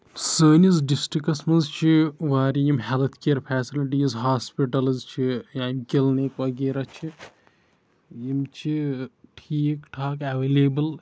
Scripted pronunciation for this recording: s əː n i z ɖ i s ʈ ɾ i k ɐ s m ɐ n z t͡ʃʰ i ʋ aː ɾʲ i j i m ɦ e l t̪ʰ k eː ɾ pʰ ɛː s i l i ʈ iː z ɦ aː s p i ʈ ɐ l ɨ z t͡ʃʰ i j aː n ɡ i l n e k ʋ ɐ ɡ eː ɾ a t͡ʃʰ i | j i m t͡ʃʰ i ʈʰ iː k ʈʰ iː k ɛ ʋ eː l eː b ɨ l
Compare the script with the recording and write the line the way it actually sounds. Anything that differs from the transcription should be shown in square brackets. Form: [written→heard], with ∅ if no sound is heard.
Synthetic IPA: s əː n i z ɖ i s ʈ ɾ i k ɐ s m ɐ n z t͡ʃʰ i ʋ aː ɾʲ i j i m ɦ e l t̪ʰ k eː ɾ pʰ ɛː s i l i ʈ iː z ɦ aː s p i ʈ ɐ l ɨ z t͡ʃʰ i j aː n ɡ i l n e k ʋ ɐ ɡ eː ɾ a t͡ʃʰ i | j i m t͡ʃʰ i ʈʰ iː k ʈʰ [iː→aː] k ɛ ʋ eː l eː b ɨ l